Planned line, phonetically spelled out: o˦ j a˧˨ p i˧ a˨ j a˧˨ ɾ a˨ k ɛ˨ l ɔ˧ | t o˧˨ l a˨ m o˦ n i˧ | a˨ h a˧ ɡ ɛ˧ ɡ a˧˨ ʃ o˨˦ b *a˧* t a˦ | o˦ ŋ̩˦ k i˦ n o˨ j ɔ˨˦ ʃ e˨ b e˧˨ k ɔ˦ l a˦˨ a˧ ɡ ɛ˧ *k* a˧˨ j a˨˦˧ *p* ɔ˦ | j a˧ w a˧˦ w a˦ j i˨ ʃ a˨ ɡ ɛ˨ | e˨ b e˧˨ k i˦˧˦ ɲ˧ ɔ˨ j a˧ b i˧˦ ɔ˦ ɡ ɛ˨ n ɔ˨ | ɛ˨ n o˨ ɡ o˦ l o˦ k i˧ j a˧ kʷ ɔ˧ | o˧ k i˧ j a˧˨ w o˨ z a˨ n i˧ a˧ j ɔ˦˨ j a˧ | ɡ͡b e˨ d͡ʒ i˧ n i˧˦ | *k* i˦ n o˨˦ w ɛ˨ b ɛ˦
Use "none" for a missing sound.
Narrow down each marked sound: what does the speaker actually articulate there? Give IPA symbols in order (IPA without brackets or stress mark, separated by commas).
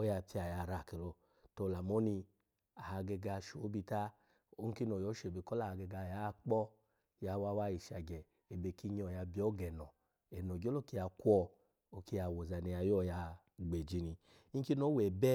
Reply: i˧, ɡ, k͡p, k